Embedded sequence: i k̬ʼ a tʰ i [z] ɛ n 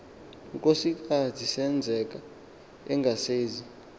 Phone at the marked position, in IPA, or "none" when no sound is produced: s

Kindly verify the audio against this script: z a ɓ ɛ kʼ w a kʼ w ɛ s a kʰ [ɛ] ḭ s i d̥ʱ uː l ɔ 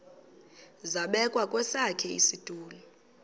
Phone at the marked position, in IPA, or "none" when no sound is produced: ɛ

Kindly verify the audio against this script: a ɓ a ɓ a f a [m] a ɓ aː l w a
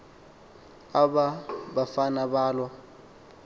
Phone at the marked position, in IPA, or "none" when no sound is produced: n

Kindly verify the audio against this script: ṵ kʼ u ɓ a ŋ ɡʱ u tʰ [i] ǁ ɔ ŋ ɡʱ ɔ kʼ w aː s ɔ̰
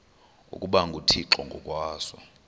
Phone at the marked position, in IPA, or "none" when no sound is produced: i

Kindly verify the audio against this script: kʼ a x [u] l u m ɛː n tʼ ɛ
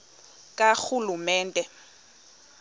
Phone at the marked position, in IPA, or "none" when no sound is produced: u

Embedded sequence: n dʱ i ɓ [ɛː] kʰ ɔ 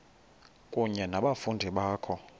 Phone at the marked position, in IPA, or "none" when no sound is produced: aː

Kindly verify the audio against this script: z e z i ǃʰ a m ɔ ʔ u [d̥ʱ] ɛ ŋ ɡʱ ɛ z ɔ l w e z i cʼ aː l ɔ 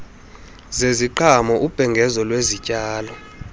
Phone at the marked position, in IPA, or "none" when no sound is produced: b̥ʱ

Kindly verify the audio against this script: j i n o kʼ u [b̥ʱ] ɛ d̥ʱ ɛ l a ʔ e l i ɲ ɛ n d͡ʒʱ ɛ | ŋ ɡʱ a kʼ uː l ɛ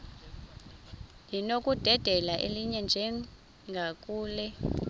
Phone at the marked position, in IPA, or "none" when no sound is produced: d̥ʱ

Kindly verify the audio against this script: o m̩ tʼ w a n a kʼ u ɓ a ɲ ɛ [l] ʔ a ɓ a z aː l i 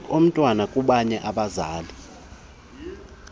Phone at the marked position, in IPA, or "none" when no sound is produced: none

